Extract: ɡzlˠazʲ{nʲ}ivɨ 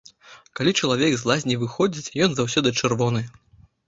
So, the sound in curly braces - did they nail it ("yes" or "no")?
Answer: yes